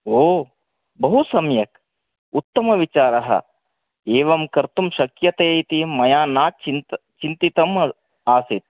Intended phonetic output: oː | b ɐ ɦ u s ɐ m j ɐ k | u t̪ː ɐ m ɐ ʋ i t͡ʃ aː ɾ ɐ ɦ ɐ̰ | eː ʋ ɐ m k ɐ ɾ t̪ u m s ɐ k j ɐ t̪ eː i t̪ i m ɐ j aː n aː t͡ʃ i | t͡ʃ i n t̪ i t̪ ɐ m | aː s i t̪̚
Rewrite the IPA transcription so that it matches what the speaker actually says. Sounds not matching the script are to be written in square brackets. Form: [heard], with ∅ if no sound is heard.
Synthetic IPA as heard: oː | b ɐ ɦ u s ɐ m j ɐ k | u t̪ː ɐ m ɐ ʋ i t͡ʃ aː ɾ ɐ ɦ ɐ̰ | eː ʋ ɐ m k ɐ ɾ t̪ u m [ʃ] ɐ k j ɐ t̪ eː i t̪ i m ɐ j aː n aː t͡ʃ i | t͡ʃ i n t̪ i t̪ ɐ m | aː s i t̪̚